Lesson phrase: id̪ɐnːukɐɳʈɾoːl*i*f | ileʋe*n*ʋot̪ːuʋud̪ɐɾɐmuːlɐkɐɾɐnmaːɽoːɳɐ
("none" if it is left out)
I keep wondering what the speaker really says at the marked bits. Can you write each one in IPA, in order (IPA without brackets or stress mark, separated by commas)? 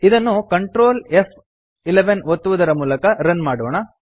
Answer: e, n